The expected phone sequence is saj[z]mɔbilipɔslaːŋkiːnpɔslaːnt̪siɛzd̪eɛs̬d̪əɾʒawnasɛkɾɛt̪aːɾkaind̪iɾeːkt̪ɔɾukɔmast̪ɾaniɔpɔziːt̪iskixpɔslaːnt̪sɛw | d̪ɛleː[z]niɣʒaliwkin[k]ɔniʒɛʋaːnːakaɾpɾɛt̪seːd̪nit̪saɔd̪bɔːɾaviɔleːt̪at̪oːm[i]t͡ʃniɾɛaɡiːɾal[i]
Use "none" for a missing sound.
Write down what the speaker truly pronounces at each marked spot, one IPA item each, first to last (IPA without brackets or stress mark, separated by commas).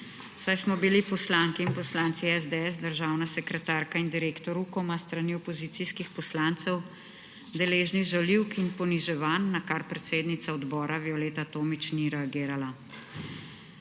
s, ʒ, p, i, a